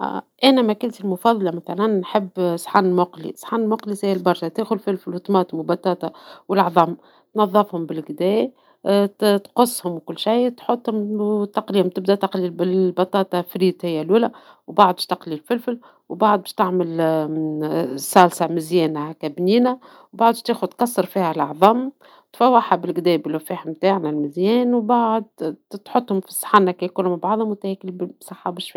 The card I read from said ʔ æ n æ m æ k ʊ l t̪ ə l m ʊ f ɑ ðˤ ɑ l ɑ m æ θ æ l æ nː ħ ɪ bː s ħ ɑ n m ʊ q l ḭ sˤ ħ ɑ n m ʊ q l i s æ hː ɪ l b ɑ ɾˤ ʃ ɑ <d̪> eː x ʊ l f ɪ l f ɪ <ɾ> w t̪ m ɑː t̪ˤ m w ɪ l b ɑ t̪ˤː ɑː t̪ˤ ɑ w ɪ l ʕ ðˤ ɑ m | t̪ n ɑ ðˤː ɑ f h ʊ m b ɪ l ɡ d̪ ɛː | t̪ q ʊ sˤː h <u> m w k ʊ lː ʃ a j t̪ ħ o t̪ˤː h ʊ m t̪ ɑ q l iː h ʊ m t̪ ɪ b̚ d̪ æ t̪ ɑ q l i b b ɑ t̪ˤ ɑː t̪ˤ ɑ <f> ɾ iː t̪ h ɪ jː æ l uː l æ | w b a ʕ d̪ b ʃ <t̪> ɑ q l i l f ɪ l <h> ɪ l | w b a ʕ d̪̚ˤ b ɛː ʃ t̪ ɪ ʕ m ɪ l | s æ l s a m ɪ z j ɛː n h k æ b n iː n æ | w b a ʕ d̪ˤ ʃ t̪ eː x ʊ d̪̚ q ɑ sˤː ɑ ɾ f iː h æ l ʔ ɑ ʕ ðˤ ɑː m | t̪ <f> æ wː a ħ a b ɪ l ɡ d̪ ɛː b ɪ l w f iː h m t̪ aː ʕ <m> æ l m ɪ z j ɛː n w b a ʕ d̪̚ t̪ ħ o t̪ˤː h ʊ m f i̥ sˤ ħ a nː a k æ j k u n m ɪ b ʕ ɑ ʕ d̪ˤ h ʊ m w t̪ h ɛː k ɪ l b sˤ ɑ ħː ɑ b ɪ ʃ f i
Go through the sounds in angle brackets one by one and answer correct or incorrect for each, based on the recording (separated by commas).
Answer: incorrect, incorrect, incorrect, correct, correct, incorrect, correct, incorrect